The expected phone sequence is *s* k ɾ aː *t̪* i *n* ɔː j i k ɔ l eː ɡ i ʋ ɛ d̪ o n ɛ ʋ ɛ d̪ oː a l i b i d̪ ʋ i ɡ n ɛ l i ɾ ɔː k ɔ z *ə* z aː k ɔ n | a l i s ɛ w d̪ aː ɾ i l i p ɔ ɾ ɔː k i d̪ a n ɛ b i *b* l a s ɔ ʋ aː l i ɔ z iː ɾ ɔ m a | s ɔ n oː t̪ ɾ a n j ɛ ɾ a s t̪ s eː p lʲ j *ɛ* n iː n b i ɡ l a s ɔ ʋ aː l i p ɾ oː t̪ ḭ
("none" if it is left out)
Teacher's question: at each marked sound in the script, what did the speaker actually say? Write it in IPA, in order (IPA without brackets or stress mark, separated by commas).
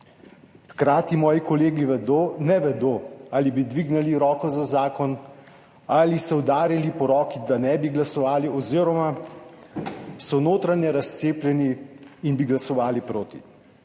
x, t̪, m, a, ɡ, ɛ